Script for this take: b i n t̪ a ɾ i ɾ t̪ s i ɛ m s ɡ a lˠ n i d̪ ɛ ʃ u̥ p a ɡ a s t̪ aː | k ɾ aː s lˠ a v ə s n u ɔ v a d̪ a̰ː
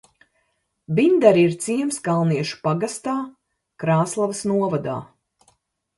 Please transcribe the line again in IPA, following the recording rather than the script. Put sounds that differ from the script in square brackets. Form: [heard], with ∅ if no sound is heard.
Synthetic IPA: b i n [d̪] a ɾ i ɾ t̪ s i ɛ m s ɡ a lˠ n i [∅] ɛ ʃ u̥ p a ɡ a s t̪ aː | k ɾ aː s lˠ a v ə s n u ɔ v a d̪ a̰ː